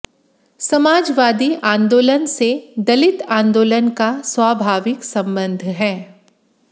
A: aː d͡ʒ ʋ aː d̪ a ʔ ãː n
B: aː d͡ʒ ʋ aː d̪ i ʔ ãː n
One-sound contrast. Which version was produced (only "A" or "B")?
B